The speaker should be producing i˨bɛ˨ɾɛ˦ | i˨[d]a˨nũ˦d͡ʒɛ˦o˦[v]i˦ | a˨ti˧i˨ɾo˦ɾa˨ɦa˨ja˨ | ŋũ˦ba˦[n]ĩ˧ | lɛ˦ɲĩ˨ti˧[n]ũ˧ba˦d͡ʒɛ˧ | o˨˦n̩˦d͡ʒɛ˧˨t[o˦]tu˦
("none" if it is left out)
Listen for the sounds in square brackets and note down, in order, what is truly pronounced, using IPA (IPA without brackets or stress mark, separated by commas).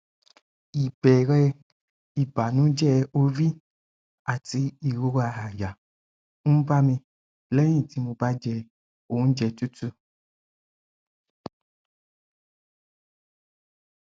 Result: b, v, m, m, u˦